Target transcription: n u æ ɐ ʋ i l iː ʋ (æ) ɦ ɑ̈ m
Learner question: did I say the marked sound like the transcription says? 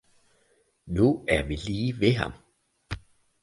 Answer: no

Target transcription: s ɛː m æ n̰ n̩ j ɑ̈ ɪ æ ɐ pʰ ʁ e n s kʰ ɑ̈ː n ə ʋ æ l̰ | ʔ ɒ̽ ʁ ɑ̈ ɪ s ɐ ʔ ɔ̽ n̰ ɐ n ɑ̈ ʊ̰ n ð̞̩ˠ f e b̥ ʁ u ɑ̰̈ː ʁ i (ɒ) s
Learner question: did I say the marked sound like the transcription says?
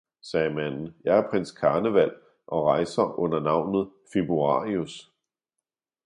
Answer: no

